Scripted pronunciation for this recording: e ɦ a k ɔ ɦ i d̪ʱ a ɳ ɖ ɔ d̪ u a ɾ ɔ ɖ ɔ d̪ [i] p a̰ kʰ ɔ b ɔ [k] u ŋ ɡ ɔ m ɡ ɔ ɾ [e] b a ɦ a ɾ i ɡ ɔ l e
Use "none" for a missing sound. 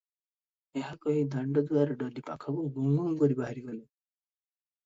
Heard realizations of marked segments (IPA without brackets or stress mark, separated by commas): i, ɡ, i